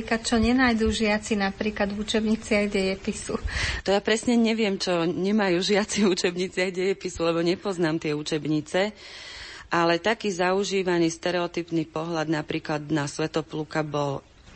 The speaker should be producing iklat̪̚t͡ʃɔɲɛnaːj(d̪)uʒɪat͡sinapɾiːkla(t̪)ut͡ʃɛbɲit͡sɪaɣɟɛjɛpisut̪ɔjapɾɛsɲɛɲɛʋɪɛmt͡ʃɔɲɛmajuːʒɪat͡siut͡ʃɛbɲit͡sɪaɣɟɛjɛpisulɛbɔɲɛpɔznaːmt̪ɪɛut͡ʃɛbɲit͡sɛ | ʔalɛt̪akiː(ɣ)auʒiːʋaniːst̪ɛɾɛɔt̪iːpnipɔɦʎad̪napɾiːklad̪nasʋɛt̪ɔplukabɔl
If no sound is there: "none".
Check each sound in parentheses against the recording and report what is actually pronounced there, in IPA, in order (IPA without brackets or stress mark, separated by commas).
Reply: d̪, d̪, z